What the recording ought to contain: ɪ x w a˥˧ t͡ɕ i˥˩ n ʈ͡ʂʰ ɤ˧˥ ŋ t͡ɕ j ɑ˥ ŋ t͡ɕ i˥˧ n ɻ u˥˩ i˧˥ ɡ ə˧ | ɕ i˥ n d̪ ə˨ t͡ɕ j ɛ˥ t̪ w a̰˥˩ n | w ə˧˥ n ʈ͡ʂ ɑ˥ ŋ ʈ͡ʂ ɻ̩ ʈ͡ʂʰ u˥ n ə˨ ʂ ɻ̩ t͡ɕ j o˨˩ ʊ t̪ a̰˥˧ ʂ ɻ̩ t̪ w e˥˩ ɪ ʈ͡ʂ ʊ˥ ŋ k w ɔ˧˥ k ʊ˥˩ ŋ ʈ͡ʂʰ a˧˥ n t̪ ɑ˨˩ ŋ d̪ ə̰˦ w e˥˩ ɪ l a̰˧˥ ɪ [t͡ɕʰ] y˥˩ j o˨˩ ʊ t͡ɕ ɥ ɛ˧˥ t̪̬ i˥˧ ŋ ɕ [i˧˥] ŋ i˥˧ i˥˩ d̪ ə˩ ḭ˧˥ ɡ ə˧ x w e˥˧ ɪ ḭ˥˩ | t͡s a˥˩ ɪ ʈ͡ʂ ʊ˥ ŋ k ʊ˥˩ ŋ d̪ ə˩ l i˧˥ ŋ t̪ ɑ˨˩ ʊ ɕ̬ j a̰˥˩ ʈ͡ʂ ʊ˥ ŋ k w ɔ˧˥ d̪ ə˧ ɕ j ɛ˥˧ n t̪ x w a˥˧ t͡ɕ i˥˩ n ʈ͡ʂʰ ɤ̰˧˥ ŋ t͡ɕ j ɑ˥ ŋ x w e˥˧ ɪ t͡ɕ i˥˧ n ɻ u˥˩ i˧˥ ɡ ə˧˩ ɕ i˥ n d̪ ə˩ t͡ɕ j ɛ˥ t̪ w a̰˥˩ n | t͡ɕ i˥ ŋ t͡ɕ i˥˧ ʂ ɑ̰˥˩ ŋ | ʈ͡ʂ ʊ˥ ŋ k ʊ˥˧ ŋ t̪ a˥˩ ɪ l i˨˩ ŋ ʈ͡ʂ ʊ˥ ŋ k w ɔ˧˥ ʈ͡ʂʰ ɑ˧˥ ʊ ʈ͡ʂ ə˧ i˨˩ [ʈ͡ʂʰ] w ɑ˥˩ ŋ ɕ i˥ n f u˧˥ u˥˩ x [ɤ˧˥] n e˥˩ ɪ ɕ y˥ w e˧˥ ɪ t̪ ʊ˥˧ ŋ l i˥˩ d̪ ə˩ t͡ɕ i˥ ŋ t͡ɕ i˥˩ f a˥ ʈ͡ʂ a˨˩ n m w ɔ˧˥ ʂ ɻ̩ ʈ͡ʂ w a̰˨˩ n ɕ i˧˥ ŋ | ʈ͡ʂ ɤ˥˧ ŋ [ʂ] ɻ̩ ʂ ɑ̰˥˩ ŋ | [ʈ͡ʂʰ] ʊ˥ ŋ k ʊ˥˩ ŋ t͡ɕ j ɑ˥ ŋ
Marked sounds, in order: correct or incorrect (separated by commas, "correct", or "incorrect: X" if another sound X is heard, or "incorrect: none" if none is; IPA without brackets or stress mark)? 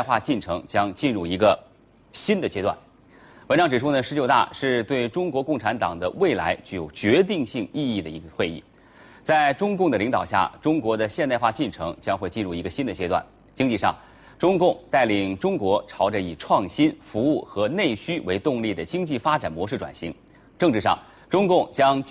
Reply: incorrect: t͡ɕ, incorrect: i˥˧, correct, correct, incorrect: ʈ͡ʂ, incorrect: ʈ͡ʂ